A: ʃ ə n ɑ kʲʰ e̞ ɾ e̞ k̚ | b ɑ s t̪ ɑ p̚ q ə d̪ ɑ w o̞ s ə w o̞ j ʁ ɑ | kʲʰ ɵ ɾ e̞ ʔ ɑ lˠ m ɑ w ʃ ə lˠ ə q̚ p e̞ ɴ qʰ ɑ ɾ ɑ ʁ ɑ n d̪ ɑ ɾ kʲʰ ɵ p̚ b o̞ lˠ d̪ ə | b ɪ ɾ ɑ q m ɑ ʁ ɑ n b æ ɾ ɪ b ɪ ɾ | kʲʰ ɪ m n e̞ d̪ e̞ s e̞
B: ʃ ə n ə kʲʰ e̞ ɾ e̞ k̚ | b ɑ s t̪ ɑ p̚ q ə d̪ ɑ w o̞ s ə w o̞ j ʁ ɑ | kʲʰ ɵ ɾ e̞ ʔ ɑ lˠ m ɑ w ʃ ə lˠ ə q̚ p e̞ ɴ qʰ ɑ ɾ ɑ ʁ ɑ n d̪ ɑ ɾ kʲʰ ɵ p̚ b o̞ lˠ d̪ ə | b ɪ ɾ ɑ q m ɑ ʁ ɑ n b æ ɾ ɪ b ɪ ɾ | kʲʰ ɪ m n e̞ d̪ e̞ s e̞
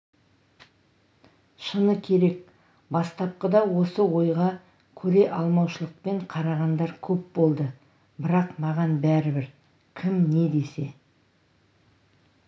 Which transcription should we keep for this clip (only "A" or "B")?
B